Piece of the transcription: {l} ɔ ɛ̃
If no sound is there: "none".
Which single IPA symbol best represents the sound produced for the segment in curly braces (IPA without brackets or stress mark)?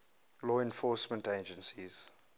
l